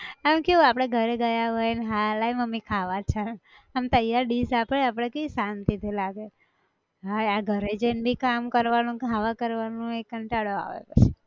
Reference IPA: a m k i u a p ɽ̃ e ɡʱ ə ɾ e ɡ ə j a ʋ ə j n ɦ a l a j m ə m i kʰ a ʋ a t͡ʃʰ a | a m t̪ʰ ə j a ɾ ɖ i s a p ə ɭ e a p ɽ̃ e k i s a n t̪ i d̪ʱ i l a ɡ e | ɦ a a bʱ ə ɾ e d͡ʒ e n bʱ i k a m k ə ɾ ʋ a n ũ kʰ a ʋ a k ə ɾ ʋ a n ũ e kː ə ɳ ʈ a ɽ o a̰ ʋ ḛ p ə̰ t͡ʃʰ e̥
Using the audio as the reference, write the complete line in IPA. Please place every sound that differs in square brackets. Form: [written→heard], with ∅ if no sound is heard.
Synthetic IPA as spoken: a m k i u a p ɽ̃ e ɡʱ ə ɾ e ɡ ə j a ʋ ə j n ɦ a l a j m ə m i kʰ a ʋ a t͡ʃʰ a | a m [t̪ʰ→t̪] ə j a ɾ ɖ i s a p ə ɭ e a p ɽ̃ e k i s a n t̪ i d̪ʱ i l a ɡ e | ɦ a a [bʱ→ɡʱ] ə ɾ e d͡ʒ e n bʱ i k a m k ə ɾ ʋ a n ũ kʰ a ʋ a k ə ɾ ʋ a n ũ e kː ə ɳ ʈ a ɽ o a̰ ʋ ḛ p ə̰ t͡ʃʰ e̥